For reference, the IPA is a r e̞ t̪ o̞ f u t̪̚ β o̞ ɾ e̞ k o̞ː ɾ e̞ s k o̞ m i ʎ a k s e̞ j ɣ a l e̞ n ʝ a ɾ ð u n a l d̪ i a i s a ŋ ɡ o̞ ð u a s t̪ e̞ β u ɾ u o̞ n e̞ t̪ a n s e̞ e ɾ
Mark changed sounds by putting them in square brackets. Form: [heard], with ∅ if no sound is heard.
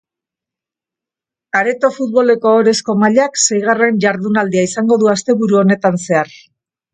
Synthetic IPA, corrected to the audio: a [ɾ] e̞ t̪ o̞ f u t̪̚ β o̞ [l] e̞ k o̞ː ɾ e̞ s k o̞ m [a] ʎ a k s e̞ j ɣ a [r] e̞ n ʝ a ɾ ð u n a l d̪ i a i s a ŋ ɡ o̞ ð u a s t̪ e̞ β u ɾ u o̞ n e̞ t̪ a n s e̞ [a] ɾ